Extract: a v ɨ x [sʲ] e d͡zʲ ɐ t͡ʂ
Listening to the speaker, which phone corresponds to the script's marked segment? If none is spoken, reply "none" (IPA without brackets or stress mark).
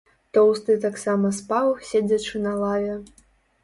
sʲ